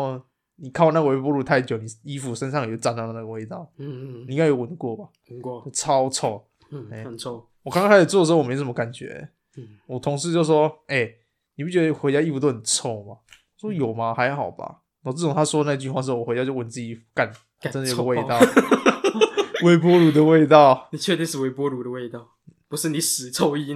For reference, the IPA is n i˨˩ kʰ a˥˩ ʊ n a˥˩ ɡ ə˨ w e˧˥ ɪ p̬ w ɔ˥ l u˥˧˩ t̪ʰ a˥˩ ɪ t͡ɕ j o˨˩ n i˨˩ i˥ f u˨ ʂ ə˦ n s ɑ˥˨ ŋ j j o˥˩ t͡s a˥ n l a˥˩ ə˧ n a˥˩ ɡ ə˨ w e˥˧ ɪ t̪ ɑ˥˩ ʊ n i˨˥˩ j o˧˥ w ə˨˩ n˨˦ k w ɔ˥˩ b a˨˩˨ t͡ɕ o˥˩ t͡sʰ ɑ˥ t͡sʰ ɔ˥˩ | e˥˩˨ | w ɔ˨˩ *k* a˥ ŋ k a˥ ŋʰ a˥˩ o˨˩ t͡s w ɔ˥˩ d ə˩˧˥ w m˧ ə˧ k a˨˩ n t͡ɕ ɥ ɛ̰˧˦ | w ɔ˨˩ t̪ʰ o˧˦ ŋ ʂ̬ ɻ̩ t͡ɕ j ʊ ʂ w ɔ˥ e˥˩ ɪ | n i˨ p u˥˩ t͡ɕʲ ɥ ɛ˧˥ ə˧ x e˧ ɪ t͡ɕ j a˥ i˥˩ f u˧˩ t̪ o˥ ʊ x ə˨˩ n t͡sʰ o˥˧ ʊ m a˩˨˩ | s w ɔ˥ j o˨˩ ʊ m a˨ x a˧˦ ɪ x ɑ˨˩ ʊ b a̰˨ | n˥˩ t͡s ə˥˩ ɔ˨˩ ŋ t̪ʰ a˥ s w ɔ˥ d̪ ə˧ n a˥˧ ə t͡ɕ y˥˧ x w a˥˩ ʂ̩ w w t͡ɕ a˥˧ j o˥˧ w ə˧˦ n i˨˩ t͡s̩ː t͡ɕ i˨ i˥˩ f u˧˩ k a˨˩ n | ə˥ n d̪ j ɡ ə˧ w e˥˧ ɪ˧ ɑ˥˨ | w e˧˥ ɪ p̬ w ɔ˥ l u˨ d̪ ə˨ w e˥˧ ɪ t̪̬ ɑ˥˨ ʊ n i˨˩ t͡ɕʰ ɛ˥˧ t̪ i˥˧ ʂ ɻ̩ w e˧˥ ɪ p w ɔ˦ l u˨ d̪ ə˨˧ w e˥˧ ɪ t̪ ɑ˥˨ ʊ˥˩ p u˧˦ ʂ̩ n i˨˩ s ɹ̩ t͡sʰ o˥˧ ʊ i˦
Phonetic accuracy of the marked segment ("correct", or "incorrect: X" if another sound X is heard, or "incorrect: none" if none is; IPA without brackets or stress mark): correct